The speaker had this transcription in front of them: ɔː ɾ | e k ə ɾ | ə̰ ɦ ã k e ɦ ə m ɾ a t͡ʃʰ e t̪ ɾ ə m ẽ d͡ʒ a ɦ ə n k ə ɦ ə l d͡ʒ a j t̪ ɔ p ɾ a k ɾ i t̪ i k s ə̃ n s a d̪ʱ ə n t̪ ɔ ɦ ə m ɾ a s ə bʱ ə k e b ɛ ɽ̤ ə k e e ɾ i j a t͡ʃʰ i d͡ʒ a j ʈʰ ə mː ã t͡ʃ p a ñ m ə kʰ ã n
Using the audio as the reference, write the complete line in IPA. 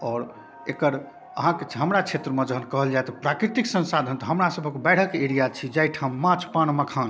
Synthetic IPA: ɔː ɾ | e k ə ɾ | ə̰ ɦ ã k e ɦ ə m ɾ a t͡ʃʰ e t̪ ɾ ə m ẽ d͡ʒ ə ɦ ə n k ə ɦ ə l d͡ʒ a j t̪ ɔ p ɾ a k ɾ i t̪ i k s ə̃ n s a d̪ʱ ə n t̪ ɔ ɦ ə m ɾ a s ə bʱ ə k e b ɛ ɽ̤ ə k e e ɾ i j a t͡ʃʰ i d͡ʒ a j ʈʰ a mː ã t͡ʃ p a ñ m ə kʰ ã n